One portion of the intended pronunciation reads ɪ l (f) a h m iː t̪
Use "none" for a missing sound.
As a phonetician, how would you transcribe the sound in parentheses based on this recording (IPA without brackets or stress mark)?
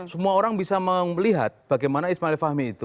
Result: f